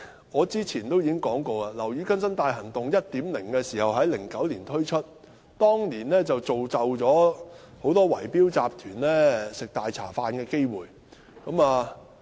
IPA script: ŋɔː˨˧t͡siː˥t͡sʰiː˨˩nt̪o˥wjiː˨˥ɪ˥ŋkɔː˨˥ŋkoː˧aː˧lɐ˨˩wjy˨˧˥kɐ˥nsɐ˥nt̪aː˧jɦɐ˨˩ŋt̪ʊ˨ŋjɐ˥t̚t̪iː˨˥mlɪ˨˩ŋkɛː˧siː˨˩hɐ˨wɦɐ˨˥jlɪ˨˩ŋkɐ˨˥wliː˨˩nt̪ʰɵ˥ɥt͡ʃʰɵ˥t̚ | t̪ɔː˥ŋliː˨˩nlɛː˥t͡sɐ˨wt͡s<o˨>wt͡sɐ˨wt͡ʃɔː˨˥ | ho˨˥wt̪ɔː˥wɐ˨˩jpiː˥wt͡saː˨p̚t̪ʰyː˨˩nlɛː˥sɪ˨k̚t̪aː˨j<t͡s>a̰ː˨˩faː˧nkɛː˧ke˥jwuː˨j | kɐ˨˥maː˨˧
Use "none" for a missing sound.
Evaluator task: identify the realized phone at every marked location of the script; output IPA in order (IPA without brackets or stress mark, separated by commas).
o˨, t͡sʰ